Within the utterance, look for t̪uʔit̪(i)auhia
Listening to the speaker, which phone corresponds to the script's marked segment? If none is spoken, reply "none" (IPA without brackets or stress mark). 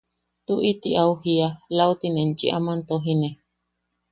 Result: i